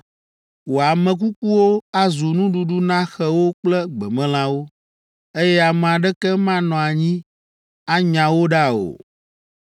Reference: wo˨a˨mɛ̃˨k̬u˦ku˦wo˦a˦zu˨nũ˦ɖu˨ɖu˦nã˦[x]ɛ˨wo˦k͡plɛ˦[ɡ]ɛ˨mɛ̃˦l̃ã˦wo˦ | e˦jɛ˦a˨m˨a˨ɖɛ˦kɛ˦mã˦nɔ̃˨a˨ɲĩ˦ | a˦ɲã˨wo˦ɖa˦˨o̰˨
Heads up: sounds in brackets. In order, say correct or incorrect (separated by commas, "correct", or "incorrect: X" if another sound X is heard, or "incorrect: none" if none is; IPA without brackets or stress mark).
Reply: correct, incorrect: ɡ͡b